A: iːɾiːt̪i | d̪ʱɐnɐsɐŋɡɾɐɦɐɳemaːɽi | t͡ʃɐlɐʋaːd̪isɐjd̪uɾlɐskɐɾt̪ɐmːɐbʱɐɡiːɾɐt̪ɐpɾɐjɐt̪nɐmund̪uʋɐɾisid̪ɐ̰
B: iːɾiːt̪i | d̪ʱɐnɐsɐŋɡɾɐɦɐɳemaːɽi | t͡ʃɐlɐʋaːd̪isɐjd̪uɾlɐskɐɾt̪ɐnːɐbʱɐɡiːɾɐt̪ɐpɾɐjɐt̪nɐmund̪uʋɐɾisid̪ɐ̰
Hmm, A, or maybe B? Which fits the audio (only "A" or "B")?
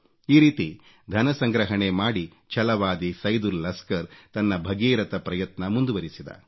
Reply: B